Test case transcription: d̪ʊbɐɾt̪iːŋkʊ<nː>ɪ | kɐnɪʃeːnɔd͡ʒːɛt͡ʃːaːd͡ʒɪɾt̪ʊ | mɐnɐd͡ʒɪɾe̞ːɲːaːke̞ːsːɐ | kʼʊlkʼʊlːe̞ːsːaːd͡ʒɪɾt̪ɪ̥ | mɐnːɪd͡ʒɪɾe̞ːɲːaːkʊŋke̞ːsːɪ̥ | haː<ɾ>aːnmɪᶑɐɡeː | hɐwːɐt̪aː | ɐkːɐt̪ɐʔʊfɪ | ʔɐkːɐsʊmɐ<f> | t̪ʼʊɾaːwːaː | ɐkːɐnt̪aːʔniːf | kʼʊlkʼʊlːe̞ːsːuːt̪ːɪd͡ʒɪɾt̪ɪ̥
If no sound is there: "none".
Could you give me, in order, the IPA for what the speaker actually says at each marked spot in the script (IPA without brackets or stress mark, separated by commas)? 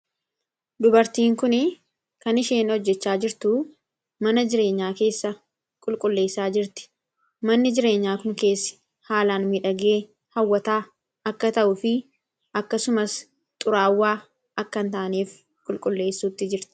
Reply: n, l, s